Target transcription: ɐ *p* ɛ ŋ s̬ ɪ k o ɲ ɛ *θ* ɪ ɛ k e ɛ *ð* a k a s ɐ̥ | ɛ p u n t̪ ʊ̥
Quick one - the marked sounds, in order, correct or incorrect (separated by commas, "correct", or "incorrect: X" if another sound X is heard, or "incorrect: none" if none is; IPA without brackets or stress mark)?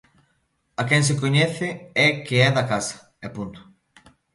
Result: incorrect: k, correct, correct